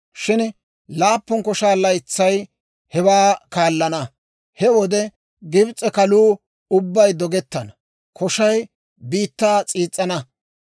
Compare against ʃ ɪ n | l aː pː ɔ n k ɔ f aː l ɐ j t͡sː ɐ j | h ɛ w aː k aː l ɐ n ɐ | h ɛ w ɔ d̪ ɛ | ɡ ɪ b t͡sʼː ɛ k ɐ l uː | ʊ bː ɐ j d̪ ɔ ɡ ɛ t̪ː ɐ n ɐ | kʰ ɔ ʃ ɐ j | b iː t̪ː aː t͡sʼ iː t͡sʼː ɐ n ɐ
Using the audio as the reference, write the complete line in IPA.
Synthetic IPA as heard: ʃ ɪ n | l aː pː ɔ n k ɔ ʃ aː l ɐ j t͡sː ɐ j | h ɛ w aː k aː lː ɐ n ɐ | h ɛ w ɔ d̪ ɛ | ɡ ɪ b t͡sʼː ɛ k ɐ l uː | ʊ bː ɐ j d̪ ɔ ɡ ɛ t̪ː ɐ n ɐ | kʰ ɔ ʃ ɐ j | b iː t̪ː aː t͡sʼ iː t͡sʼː ɐ n ɐ